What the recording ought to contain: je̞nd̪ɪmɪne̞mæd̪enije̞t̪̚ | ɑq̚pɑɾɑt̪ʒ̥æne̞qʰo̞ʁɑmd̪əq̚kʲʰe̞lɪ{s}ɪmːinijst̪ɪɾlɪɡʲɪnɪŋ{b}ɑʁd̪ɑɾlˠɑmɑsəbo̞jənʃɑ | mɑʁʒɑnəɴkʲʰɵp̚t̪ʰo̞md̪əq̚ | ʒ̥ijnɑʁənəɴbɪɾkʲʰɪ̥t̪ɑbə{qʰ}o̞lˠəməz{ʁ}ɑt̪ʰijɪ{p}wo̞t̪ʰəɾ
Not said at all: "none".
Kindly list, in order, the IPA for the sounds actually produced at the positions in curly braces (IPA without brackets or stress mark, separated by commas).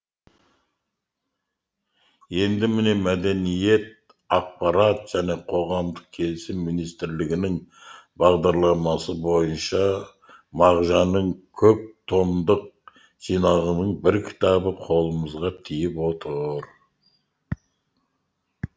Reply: s, b, qʰ, ʁ, p